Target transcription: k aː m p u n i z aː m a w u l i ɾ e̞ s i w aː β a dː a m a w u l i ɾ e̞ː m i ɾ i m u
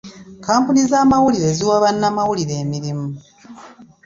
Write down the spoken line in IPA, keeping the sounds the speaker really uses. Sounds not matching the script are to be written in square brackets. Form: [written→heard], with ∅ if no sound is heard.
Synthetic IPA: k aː m p u n i z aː m a w u l i ɾ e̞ [s→z] i w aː β a [dː→nː] a m a w u l i ɾ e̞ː m i ɾ i m u